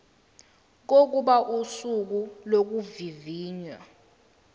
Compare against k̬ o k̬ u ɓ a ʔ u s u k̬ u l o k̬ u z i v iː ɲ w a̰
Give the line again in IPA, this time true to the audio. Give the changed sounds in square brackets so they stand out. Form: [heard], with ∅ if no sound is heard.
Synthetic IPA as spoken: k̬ o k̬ u ɓ a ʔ u s u k̬ u l o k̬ u [v] i v iː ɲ w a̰